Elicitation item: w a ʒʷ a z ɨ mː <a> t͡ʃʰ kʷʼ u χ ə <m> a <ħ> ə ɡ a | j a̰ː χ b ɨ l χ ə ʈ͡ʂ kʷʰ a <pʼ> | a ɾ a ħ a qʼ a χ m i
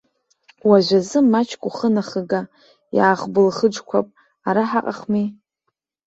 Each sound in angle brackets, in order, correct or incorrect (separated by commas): correct, incorrect, incorrect, correct